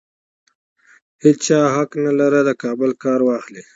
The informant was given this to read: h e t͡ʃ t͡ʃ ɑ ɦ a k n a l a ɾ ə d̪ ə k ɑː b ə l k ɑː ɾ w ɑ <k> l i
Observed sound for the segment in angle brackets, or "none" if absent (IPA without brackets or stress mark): x